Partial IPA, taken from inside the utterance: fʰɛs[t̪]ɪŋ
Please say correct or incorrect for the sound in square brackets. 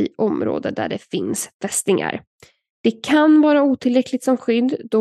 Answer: correct